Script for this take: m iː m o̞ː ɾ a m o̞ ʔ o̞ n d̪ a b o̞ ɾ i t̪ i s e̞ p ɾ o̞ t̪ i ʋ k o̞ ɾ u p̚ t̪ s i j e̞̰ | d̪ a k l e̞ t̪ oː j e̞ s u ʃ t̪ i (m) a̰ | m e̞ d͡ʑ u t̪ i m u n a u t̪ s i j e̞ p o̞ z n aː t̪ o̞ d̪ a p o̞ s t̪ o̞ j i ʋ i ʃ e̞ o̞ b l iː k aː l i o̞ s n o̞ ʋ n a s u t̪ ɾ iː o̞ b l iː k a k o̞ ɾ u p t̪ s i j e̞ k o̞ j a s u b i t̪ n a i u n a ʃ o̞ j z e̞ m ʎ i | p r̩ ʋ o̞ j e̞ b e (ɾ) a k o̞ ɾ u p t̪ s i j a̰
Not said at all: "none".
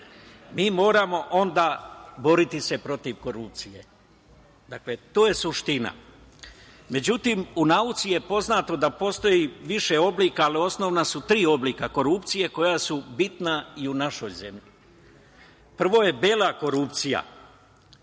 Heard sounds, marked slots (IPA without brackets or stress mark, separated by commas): n, l